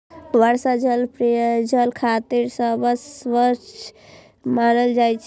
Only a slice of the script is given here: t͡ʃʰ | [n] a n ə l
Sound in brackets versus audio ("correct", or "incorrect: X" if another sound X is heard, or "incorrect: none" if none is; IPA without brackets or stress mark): incorrect: m